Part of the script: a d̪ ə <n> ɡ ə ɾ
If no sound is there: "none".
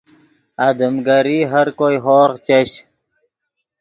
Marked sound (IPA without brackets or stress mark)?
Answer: m